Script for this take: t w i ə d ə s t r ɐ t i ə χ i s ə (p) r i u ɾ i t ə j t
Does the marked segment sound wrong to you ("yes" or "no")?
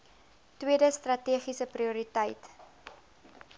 no